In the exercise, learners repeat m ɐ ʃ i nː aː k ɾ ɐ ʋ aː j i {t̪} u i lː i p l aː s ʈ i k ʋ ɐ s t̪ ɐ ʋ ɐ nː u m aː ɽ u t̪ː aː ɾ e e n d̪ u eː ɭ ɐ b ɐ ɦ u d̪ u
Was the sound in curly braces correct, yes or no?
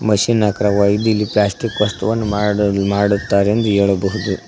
no